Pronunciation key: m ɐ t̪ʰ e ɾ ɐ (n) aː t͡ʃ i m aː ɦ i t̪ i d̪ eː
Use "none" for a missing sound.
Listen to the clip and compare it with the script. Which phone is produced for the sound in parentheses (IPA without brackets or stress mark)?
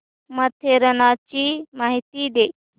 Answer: n